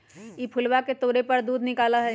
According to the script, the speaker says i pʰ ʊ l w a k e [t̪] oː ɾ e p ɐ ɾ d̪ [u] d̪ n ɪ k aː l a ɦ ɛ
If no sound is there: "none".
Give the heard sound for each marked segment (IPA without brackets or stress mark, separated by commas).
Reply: t̪, uː